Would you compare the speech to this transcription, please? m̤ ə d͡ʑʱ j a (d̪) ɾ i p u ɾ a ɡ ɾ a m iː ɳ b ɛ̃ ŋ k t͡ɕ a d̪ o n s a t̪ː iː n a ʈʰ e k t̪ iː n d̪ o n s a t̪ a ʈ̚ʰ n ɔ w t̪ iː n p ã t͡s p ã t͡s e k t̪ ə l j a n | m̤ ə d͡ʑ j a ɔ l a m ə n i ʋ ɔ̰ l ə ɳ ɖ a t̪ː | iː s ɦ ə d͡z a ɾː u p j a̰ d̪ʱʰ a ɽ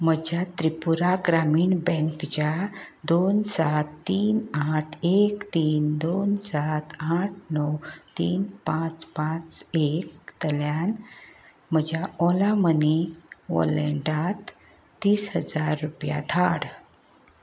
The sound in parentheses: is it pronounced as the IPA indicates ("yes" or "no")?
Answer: no